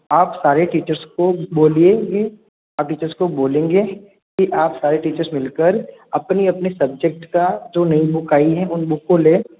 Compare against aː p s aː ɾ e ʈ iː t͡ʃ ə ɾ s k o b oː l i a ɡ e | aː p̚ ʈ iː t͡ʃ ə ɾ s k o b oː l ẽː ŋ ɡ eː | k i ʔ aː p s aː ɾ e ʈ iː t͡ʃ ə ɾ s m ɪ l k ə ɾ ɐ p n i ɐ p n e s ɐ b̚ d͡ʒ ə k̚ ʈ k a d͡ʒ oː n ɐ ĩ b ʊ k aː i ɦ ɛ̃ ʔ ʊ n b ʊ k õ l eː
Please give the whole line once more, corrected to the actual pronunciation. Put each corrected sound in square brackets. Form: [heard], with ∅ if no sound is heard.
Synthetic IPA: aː p s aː ɾ e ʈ iː t͡ʃ ə ɾ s k o b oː l i [e] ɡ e | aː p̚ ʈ iː t͡ʃ ə ɾ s k o b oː l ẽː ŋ ɡ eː | k i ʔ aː p s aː ɾ e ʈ iː t͡ʃ ə ɾ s m ɪ l k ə ɾ ɐ p n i ɐ p n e s ɐ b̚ d͡ʒ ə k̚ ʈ k a d͡ʒ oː n ɐ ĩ b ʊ k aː i ɦ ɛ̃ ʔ ʊ n b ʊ k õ l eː